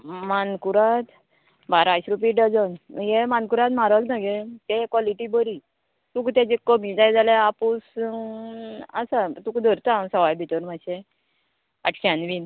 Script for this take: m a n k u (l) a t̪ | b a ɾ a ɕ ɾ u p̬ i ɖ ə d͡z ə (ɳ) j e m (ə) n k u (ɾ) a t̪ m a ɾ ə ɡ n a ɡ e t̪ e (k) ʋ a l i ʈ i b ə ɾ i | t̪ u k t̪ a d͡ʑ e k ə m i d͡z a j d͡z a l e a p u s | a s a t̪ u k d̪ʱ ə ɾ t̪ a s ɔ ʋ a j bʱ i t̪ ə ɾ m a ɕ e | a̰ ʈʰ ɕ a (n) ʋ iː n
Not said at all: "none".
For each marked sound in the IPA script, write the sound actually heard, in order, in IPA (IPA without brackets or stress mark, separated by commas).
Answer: ɾ, n, a, ɾ, k, n